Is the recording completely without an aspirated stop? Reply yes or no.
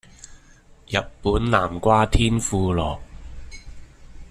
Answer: no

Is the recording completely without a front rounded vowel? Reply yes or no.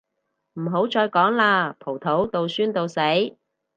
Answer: no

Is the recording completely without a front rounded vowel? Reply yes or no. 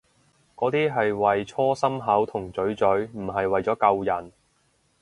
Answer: yes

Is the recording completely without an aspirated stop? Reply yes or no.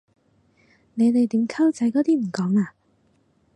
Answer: no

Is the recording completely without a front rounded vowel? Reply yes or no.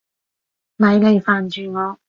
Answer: no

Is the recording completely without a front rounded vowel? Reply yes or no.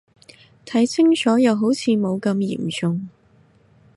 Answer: yes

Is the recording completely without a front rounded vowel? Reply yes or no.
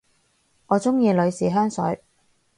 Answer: no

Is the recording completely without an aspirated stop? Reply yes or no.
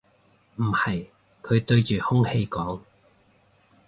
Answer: no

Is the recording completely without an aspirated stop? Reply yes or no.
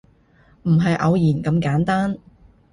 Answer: yes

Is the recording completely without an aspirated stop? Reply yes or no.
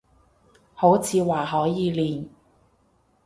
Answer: no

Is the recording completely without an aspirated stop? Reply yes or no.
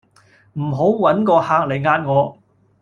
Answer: yes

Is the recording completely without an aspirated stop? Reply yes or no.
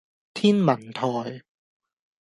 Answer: no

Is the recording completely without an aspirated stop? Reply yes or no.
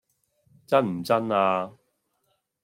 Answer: yes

